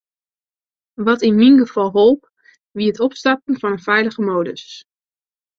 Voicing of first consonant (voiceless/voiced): voiced